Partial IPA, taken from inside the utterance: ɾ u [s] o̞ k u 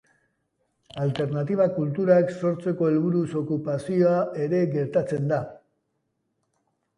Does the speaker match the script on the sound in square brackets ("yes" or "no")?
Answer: yes